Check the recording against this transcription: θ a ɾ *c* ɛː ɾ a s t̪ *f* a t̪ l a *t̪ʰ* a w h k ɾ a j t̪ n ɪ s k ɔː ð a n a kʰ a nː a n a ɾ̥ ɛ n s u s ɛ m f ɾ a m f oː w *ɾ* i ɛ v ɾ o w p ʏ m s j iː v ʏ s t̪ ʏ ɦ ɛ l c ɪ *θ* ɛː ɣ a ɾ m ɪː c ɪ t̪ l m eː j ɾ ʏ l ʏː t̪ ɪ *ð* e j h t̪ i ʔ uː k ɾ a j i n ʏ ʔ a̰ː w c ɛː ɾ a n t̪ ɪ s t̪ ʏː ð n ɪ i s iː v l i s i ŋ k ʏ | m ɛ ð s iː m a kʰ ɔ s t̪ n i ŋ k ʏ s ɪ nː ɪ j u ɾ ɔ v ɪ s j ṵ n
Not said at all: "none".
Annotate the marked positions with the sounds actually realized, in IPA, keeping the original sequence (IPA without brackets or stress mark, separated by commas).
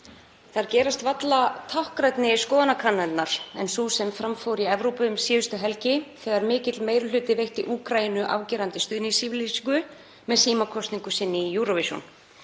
c, v, t̪ʰ, ɾ, θ, v